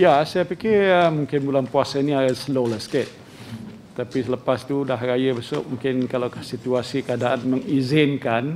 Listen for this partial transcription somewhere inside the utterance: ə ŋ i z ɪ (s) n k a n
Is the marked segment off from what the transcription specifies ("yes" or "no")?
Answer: yes